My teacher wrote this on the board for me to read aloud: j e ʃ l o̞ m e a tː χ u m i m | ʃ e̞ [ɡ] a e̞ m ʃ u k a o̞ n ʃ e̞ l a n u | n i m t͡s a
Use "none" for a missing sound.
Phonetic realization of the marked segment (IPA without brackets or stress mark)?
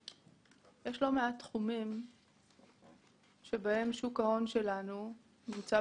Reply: b